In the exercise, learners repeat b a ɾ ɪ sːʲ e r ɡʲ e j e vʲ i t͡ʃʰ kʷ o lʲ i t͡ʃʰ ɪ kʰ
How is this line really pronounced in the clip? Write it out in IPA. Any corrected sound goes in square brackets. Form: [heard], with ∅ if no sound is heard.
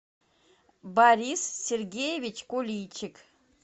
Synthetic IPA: b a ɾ [i] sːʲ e r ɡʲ e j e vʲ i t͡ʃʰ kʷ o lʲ i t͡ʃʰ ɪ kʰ

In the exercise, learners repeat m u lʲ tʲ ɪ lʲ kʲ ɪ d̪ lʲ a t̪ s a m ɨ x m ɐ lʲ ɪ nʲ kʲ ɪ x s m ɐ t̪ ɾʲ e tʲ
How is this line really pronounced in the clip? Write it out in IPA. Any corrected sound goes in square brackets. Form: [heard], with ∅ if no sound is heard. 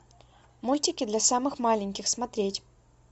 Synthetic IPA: m u lʲ tʲ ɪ [∅] kʲ ɪ d̪ lʲ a [∅] s a m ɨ x m [a] lʲ ɪ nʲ kʲ ɪ x s m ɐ t̪ ɾʲ e tʲ

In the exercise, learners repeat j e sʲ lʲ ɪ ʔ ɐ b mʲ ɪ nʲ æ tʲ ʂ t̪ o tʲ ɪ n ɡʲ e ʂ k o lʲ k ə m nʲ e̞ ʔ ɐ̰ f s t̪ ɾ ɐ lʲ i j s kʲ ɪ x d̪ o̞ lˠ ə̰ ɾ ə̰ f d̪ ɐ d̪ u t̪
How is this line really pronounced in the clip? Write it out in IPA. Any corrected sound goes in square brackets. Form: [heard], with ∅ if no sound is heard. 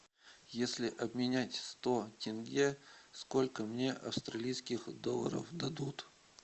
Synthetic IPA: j e sʲ lʲ ɪ ʔ ɐ b mʲ ɪ nʲ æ tʲ [s] t̪ o tʲ ɪ n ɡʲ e [s] k o lʲ k ə m nʲ e̞ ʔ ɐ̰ f s t̪ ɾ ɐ lʲ i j s kʲ ɪ x d̪ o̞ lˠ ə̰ ɾ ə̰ f d̪ ɐ d̪ u t̪

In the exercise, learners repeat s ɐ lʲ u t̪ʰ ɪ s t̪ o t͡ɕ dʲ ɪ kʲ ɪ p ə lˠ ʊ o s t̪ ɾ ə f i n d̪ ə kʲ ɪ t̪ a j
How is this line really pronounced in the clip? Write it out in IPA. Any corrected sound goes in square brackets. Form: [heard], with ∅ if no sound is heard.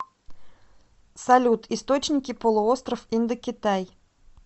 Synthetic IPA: s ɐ lʲ u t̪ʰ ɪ s t̪ o t͡ɕ [nʲ] ɪ kʲ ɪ p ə lˠ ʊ o s t̪ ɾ ə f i n d̪ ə kʲ ɪ t̪ a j

